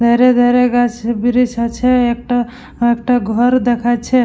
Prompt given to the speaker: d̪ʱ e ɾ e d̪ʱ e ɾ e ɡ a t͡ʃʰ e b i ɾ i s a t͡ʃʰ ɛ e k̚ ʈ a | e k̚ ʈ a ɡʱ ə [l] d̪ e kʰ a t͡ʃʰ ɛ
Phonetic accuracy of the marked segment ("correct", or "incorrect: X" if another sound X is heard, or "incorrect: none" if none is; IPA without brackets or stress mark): incorrect: ɾ